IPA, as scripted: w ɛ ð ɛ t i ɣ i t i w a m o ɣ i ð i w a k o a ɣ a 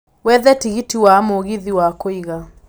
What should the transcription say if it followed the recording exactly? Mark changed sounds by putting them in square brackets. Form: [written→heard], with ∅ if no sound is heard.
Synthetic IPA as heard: w ɛ ð ɛ t i ɣ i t i w a m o ɣ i ð i w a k o [a→i] ɣ a